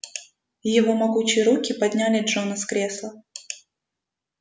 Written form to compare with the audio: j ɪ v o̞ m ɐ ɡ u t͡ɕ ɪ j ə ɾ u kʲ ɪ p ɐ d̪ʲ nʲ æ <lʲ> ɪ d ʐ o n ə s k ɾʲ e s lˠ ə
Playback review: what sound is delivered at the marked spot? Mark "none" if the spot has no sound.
lʲ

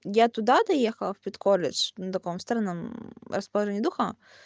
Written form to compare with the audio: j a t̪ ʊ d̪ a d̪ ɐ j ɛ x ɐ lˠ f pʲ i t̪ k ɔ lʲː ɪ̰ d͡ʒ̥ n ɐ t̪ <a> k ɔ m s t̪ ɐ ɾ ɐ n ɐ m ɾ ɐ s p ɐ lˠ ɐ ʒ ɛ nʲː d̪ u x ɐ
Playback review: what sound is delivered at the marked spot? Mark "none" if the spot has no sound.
ɐ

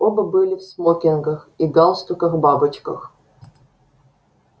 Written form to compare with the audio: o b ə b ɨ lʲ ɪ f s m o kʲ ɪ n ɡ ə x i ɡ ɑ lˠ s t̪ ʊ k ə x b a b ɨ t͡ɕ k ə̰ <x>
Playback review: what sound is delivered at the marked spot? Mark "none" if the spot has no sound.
x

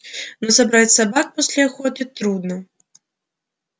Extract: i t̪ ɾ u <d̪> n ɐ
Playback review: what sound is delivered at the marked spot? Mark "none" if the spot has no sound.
d̪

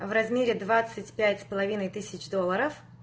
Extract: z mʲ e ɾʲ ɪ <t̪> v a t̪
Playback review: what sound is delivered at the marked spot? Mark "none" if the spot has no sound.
d̪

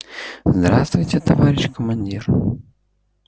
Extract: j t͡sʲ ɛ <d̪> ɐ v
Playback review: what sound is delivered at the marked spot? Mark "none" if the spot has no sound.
t̪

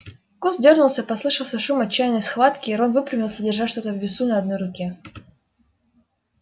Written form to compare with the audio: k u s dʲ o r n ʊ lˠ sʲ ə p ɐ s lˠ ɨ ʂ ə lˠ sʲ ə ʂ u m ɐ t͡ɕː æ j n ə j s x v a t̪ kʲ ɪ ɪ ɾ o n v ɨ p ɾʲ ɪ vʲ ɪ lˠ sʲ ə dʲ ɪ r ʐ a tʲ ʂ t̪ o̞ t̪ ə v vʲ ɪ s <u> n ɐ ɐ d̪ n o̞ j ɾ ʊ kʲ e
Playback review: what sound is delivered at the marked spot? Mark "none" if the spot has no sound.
u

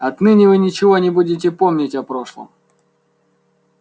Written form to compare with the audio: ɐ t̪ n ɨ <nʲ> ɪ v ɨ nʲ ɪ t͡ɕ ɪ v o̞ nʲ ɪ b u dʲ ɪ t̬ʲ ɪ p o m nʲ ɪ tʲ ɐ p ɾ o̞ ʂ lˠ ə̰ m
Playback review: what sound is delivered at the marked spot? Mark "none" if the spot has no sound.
nʲ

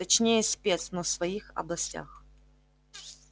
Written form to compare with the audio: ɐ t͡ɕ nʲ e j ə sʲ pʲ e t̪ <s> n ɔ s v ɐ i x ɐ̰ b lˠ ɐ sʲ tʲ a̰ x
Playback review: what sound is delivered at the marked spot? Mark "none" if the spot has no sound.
s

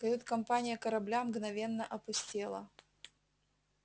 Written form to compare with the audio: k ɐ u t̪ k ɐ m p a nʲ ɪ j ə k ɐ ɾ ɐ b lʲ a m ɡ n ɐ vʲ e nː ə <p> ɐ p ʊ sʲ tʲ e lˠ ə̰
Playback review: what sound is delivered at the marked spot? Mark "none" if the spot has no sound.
ʔ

